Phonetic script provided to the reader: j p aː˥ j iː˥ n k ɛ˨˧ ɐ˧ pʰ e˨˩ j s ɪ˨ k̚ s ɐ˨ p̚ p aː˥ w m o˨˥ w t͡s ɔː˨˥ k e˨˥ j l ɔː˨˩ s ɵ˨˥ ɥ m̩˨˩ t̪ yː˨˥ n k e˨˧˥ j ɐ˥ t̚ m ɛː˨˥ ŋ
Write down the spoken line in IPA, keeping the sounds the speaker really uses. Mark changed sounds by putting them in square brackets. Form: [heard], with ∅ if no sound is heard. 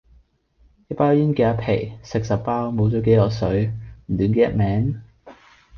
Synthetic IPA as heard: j p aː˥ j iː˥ n k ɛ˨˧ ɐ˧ pʰ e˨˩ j s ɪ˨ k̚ s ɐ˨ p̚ p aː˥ w m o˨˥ w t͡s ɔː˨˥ k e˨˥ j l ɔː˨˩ s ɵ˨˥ ɥ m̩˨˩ t̪ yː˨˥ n k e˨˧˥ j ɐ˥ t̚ m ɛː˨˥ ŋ